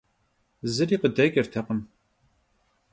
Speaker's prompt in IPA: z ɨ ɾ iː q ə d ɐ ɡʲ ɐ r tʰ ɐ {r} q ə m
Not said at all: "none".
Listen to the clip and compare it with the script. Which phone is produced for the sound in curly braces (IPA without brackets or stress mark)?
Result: none